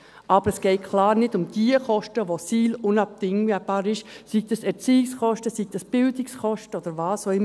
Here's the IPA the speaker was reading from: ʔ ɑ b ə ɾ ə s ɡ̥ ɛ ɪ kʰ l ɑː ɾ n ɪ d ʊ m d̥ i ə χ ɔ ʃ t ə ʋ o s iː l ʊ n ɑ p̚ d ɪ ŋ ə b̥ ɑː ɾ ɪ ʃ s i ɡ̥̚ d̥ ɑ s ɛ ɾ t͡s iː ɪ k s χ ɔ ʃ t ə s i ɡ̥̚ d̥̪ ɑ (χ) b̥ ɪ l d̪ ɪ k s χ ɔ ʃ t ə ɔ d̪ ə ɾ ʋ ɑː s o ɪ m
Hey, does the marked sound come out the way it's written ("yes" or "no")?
no